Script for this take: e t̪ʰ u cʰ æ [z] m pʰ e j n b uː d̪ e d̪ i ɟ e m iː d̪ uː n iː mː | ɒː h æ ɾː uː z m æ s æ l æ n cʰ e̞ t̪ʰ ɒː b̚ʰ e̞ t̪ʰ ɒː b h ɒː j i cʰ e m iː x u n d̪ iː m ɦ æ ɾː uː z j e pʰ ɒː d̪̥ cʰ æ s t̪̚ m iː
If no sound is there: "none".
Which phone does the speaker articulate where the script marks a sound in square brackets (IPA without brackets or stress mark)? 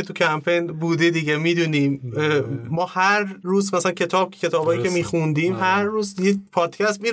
none